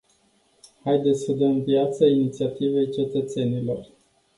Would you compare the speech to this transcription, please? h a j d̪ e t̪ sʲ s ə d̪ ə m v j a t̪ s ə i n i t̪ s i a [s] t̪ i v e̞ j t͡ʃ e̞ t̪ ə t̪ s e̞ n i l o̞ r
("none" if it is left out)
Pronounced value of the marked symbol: none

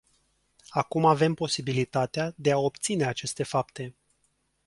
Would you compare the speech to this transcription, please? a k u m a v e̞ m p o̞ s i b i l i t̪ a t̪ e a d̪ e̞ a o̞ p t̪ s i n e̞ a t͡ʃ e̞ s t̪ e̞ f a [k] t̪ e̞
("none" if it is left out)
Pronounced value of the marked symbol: p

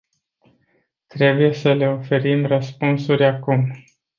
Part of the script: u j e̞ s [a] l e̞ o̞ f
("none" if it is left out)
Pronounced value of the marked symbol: ə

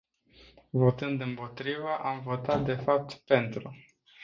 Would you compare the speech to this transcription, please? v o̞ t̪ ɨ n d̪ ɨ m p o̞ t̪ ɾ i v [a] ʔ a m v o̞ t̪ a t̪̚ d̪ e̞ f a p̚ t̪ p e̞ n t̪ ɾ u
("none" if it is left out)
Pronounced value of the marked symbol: ə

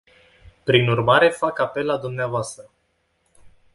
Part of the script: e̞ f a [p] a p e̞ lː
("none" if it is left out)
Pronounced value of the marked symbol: k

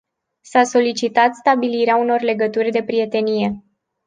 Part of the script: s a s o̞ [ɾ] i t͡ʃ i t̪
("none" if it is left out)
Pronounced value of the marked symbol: l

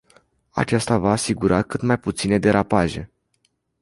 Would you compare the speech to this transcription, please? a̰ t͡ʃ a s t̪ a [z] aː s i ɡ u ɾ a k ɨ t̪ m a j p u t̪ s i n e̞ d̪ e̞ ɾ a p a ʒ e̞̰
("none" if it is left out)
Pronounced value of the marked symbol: v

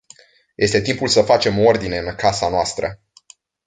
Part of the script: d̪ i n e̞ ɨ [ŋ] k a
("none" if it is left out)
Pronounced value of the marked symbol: n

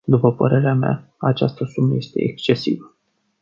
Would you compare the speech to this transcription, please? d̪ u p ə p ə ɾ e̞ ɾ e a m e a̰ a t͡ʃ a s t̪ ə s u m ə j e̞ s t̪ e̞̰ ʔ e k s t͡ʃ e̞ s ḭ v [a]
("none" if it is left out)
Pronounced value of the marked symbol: ə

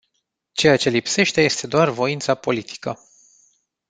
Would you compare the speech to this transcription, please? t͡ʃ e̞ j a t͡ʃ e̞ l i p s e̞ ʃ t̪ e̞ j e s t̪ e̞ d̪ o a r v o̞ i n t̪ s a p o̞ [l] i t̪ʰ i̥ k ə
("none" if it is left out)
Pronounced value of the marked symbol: l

